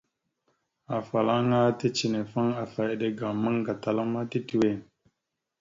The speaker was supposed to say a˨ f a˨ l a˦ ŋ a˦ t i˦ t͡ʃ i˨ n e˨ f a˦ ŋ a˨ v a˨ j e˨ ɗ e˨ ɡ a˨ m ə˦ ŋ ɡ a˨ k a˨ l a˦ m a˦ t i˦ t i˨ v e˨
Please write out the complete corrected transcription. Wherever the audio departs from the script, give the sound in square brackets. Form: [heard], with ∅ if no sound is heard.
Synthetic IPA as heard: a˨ f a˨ l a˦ ŋ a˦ t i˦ t͡ʃ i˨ n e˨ f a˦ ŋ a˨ [f] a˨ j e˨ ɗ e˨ ɡ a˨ m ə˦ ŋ ɡ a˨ [t] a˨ l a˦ m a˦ t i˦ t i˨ [w] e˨